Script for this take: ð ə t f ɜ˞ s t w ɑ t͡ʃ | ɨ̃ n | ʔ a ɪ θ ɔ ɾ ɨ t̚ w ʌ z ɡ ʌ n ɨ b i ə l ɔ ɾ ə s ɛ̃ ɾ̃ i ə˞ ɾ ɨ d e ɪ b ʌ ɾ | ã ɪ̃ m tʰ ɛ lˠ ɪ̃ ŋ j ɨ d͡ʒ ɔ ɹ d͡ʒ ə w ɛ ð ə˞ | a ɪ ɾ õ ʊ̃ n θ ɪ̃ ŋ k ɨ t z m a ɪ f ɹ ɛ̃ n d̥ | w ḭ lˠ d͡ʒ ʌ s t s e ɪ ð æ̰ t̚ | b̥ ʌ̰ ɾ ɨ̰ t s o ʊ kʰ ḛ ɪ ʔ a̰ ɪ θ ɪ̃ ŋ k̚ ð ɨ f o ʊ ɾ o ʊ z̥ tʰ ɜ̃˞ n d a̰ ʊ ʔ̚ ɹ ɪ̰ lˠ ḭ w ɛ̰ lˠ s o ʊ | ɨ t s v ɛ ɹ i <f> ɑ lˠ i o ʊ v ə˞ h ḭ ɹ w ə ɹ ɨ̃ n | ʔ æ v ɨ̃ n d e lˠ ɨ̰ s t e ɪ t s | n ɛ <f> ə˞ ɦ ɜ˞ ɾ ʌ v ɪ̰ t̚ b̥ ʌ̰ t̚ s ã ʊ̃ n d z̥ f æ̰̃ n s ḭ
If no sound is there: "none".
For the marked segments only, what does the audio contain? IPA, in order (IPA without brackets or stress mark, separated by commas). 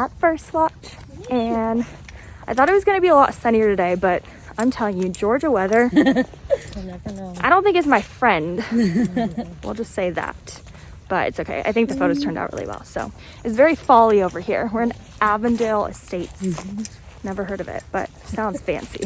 f, v